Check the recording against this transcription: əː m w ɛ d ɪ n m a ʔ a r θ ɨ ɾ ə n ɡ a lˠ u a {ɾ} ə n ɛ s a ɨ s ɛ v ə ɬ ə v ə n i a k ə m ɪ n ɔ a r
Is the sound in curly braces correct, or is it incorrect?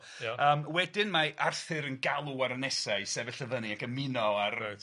correct